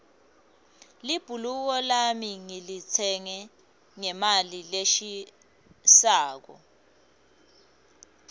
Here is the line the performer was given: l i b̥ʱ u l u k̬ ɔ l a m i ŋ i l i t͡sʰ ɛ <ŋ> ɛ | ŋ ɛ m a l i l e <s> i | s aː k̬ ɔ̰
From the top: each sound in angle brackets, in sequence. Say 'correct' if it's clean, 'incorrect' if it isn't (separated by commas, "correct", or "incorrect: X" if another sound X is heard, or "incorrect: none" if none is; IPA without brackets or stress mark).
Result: correct, incorrect: ʃ